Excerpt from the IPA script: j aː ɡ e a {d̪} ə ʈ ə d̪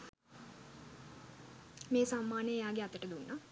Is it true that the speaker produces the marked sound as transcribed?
no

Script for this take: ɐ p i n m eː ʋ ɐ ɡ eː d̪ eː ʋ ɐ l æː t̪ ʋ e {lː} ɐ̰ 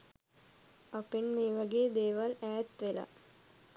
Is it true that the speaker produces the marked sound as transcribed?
no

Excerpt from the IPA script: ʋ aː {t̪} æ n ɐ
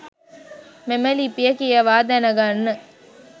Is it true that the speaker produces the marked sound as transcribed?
no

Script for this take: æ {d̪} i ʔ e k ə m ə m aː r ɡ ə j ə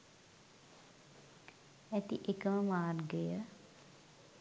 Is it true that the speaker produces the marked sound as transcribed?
no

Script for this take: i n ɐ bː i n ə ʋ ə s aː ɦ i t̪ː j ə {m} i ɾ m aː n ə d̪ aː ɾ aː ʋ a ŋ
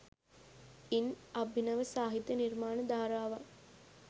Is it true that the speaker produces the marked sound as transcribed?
no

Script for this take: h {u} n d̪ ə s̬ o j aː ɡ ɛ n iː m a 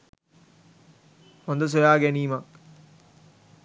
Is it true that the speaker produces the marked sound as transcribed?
no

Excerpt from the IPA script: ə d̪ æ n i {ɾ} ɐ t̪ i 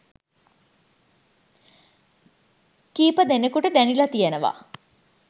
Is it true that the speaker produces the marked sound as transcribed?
no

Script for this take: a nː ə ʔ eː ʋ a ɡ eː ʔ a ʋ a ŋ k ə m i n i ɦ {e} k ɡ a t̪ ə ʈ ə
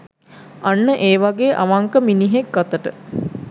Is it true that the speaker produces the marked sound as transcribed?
yes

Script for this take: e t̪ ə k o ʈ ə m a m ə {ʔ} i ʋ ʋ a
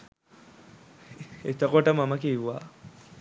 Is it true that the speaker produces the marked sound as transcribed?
no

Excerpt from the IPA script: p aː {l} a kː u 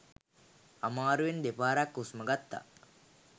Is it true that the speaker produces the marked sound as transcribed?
no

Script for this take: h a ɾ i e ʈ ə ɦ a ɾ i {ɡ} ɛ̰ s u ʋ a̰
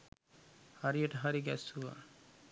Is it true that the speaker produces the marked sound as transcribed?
yes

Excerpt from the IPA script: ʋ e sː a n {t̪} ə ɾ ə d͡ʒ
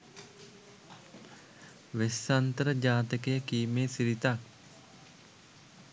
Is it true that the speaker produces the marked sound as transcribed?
yes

